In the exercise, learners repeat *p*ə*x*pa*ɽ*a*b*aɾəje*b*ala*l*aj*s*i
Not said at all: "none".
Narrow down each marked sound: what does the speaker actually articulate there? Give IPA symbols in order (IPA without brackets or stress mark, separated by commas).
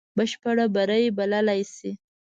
b, ʃ, ɽ, b, b, l, s